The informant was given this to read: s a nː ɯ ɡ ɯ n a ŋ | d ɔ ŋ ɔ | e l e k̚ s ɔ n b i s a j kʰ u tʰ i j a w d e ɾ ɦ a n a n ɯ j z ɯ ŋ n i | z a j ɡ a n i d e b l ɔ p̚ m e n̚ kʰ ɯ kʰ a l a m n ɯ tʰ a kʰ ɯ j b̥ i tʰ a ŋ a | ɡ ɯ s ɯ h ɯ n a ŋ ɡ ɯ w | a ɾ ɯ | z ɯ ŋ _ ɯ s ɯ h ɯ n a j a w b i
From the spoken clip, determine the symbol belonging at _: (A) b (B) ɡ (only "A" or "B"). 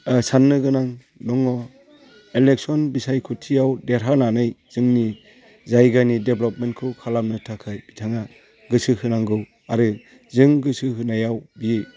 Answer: B